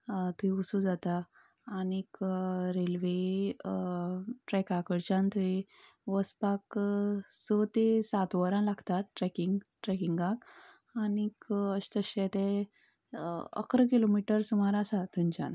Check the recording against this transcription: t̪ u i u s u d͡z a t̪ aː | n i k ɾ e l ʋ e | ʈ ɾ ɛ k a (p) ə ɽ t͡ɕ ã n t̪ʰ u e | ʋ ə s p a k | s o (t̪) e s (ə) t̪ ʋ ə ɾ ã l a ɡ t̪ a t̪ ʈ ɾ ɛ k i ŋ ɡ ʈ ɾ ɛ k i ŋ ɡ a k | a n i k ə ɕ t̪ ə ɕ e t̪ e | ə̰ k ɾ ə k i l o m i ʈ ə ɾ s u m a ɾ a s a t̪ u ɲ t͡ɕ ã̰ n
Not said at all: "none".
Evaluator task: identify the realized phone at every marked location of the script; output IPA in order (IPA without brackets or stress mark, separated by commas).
k, t̪, a